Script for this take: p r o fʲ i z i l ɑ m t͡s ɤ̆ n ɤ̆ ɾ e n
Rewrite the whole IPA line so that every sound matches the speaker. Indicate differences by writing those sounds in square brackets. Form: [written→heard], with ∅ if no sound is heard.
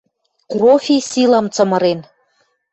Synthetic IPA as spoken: [p→k] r o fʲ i [z→s] i l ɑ m t͡s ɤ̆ [n→m] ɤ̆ ɾ e n